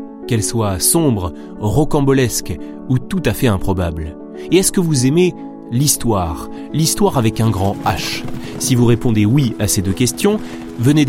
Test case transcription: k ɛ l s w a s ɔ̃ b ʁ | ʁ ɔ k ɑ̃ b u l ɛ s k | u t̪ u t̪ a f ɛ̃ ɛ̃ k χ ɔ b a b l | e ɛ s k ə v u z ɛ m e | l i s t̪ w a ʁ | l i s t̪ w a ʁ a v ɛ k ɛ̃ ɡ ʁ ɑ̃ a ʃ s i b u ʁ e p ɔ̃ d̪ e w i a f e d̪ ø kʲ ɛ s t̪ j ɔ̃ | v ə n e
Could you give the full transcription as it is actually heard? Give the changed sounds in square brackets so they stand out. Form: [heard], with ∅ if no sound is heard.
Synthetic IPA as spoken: k ɛ l s w a s ɔ̃ b ʁ | ʁ ɔ k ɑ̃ b [ɔ] l ɛ s k | u t̪ u t̪ a f [ɛ] ɛ̃ [p] χ ɔ b a b l | e ɛ s k ə v u z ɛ m e | l i s t̪ w a ʁ | l i s t̪ w a ʁ a v ɛ k ɛ̃ ɡ ʁ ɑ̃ a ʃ s i [v] u ʁ e p ɔ̃ d̪ e w i a [s] e d̪ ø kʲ ɛ s t̪ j ɔ̃ | v ə n e